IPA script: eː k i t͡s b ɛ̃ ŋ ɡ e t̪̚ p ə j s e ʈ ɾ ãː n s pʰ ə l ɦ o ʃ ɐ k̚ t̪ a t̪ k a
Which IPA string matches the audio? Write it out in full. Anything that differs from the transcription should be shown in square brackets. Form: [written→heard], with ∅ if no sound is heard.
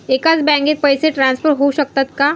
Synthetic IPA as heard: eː k [i→a] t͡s b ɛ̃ ŋ ɡ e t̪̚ p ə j s e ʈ ɾ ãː n s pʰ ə [l→ɾ] ɦ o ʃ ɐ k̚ t̪ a t̪ k a

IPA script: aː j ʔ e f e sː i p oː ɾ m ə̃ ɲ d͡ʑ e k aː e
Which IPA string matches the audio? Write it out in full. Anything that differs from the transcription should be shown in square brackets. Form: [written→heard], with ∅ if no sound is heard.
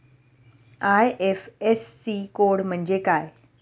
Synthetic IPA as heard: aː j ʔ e f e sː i [p→k] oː [ɾ→ɽ] m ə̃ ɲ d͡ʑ e k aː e

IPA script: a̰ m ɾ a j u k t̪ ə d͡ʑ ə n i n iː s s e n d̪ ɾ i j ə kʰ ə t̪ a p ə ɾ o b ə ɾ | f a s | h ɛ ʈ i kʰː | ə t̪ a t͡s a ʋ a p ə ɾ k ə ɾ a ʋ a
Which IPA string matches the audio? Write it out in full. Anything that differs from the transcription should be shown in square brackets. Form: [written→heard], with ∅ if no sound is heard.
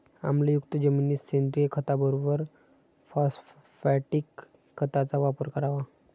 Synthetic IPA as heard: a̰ m [ɾ→l] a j u k t̪ ə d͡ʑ ə [n→m] i n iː s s e n d̪ ɾ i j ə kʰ ə t̪ a [p→b] ə ɾ o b ə ɾ | f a s | [h→f] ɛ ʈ i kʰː | ə t̪ a t͡s a ʋ a p ə ɾ k ə ɾ a ʋ a

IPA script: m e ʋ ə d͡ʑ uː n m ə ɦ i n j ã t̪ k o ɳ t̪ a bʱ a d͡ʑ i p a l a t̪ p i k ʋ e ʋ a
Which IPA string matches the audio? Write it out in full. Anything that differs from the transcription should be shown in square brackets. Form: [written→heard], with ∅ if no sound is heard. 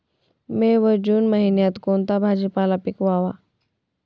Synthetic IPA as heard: m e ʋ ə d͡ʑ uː n m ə ɦ i n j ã t̪ k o [ɳ→n] t̪ a bʱ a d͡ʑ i p a l a [t̪→∅] p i k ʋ [e→a] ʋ a

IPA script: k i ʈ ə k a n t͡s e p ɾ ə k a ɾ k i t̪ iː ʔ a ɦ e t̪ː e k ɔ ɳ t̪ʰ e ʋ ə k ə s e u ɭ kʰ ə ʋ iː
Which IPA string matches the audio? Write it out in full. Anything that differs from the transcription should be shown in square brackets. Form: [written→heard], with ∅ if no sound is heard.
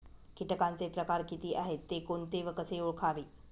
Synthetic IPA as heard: k i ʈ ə k a n t͡s e p ɾ ə k a ɾ k i t̪ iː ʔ a ɦ e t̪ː e k [ɔ→o] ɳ [t̪ʰ→t̪] e ʋ ə k ə s e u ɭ kʰ [ə→a] ʋ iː

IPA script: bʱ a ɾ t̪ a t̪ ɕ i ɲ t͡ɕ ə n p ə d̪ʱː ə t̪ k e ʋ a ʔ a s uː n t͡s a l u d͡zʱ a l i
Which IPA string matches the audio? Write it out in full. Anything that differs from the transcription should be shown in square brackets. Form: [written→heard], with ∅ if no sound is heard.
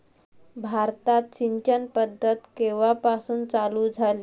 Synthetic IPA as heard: bʱ a ɾ t̪ a t̪ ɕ i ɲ t͡ɕ ə n p ə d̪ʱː ə t̪ k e ʋ a [ʔ→p] a s uː n t͡s a l u d͡zʱ a l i

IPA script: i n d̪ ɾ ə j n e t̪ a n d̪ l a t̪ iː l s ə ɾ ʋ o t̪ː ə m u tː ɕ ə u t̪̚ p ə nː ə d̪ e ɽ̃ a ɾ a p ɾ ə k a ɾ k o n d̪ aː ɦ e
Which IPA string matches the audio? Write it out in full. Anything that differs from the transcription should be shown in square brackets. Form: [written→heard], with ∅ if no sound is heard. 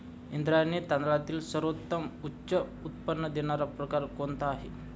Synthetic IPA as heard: i n d̪ ɾ [ə→a] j n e t̪ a n d̪ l a t̪ iː l s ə ɾ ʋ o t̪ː ə m u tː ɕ ə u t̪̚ p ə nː ə d̪ e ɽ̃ a ɾ a p ɾ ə k a ɾ k o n [d̪→t̪] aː ɦ e

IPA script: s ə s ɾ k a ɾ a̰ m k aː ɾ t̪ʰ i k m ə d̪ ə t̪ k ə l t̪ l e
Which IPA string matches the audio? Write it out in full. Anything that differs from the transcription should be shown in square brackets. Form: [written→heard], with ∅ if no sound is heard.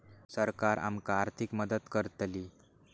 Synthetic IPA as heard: s ə [s→∅] ɾ k a ɾ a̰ m k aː ɾ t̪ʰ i k m ə d̪ ə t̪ k ə [l→ɾ] t̪ l [e→i]

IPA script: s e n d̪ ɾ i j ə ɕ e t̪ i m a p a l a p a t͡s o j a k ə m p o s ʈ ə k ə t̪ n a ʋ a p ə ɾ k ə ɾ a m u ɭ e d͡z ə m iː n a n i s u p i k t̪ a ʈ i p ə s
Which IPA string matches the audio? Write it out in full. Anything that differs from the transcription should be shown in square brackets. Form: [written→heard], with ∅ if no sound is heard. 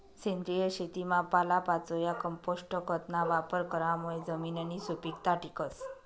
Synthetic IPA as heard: s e n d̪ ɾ i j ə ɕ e t̪ i m a p a l a p a t͡s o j a k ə m p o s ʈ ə k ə t̪ n a ʋ a p ə ɾ k ə ɾ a m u ɭ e d͡z ə m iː n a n i s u p i k t̪ a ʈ i [p→k] ə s

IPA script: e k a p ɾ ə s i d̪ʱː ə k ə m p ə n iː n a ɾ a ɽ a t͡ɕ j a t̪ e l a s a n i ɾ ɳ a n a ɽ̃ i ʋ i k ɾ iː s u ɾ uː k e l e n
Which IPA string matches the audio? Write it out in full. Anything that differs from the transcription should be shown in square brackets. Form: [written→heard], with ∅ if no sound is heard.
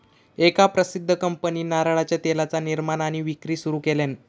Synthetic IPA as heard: e k a p ɾ ə s i d̪ʱː ə k ə m p ə n iː n a ɾ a [ɽ→ɭ] a t͡ɕ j a t̪ e l a [s→t͡s] a n i ɾ [ɳ→m] a n a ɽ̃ i ʋ i k ɾ iː s u ɾ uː k e l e n

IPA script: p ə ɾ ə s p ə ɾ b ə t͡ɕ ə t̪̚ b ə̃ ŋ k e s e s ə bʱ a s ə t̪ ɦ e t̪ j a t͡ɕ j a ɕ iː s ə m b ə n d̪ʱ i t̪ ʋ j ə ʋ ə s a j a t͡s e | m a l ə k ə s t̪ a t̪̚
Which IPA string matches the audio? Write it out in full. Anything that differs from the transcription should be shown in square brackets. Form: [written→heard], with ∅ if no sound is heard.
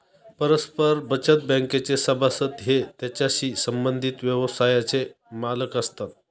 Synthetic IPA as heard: p ə ɾ ə s p ə ɾ b ə t͡ɕ ə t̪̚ b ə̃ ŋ k e [s→t͡s] e s ə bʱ a s ə t̪ ɦ e t̪ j a t͡ɕ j a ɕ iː s ə m b ə n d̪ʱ i t̪ ʋ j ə ʋ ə s a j a t͡s e | m a l ə k ə s t̪ a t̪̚

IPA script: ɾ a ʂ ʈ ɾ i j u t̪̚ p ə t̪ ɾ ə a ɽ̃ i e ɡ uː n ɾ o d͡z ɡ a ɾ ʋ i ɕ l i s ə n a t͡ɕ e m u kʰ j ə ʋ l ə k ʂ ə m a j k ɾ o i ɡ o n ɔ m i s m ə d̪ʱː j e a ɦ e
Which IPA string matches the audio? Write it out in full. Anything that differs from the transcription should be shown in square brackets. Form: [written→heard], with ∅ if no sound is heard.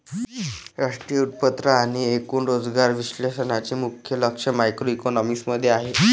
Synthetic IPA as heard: ɾ a ʂ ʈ ɾ i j u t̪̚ p ə t̪ ɾ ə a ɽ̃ i e [ɡ→k] uː n ɾ o d͡z ɡ a ɾ ʋ i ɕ l [i→e] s ə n a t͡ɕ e m u kʰ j ə [ʋ→∅] l ə k ʂ ə m a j k ɾ o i [ɡ→k] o n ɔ m i s m ə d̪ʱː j e a ɦ e

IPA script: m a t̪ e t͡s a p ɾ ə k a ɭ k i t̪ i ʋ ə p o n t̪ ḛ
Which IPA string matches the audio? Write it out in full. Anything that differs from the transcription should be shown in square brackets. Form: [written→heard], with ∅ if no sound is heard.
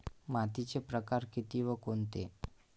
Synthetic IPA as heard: m a t̪ [e→i] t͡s [a→e] p ɾ ə k a [ɭ→ɾ] k i t̪ i ʋ ə [p→k] o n t̪ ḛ

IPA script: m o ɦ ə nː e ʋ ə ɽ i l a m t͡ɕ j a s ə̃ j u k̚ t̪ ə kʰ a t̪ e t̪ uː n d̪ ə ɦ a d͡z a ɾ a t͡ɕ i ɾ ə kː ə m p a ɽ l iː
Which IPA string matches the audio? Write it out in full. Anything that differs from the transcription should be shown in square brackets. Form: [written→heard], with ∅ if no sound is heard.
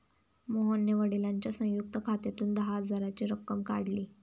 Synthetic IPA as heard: m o ɦ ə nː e ʋ ə ɽ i l a [m→ɲ] t͡ɕ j a s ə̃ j u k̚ t̪ ə kʰ a t̪ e t̪ uː n d̪ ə ɦ a d͡z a ɾ a t͡ɕ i ɾ ə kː ə m [p→k] a ɽ l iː

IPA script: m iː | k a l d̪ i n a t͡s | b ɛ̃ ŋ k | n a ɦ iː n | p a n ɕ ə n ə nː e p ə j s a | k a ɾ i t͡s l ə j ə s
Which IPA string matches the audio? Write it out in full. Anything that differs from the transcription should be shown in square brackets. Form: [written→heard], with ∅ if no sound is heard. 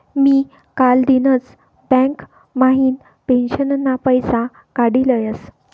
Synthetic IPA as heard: m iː | k a l d̪ i n [a→ə] t͡s | b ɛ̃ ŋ k | [n→m] a ɦ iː n | p [a→e] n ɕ ə n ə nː [e→a] p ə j s a | k a [ɾ→ɽ] i [t͡s→∅] l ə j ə s

